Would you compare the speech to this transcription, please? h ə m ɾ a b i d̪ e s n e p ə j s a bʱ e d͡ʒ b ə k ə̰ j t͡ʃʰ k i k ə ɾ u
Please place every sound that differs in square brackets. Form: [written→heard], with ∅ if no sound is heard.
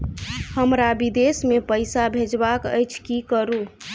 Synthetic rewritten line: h ə m ɾ a b i d̪ e s [n→m] e p ə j s a bʱ e d͡ʒ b [ə→a] k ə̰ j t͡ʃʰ k i k ə ɾ u